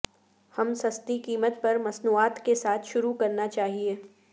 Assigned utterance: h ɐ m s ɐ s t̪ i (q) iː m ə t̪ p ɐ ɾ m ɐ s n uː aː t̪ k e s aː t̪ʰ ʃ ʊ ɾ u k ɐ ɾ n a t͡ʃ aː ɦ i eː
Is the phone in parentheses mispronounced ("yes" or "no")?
yes